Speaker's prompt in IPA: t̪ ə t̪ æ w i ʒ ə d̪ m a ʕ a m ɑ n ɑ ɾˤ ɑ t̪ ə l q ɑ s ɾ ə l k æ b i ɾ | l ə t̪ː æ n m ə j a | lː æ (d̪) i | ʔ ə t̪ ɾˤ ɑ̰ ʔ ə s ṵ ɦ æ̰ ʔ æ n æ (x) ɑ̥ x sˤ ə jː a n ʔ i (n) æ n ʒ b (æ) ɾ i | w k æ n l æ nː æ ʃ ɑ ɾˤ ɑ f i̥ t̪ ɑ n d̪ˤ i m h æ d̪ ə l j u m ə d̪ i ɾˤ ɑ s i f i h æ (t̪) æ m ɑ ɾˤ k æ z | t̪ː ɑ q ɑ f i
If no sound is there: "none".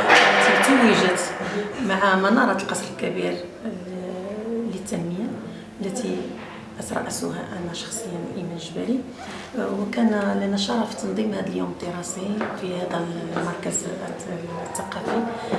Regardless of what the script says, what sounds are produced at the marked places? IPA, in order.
t̪, ʃ, m, æ, d̪

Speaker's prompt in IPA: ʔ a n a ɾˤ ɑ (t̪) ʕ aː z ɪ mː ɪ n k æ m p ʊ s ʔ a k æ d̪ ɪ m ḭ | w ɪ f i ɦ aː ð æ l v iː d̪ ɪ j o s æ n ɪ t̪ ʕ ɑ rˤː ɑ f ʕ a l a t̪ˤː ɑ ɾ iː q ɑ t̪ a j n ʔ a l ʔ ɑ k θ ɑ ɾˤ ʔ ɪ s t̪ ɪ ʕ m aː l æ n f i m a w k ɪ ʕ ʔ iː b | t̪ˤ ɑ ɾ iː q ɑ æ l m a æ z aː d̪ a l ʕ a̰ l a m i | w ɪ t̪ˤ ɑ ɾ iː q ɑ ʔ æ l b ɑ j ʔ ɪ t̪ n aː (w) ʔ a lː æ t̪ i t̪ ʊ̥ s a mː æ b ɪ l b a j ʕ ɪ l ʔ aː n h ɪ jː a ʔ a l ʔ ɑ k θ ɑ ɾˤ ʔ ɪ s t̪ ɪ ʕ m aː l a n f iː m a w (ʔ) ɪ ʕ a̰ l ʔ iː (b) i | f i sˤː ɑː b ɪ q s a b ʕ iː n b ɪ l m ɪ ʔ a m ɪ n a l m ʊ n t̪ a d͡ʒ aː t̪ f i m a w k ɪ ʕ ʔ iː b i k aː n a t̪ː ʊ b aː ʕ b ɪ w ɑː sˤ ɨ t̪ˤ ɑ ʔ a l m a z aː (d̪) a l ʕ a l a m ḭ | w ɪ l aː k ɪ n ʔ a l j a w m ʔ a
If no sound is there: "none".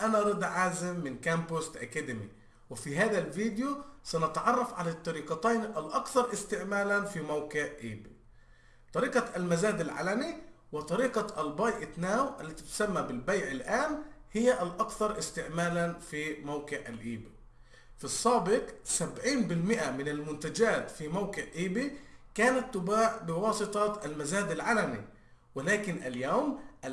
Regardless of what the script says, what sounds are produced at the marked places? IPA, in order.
d̪, w, k, b, d̪

